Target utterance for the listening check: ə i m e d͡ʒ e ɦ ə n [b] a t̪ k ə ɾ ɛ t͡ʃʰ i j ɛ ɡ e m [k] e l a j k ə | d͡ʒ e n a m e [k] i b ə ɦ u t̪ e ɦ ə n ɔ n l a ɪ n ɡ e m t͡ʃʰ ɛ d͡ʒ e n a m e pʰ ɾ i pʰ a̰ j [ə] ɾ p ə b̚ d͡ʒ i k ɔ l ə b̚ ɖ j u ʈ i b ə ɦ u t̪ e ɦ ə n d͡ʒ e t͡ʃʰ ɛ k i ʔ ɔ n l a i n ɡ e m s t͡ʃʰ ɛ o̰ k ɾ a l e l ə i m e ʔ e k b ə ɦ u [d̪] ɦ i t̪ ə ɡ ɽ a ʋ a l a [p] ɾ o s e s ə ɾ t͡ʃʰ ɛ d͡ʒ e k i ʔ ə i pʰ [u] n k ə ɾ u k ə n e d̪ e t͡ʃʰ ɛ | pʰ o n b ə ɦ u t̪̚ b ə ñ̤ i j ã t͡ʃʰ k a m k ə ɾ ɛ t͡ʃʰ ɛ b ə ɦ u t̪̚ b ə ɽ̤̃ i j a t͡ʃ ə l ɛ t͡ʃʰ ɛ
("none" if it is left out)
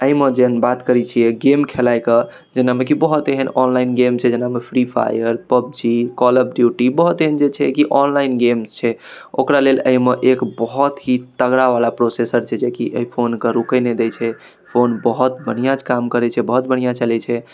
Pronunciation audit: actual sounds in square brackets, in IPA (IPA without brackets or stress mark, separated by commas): b, kʰ, k, ə, t̪, p, o